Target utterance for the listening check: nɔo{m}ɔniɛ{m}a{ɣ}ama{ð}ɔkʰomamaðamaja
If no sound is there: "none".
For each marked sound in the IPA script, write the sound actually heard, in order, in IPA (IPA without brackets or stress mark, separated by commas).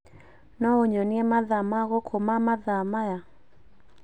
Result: ɲ, m, ð, ɣ